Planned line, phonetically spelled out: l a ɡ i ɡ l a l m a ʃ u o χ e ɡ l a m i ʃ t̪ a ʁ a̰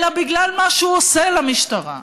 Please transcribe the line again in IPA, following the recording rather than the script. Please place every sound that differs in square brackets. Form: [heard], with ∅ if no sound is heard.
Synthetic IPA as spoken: l a [b] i ɡ l a l m a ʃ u o [s] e [∅] l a m i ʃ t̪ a ʁ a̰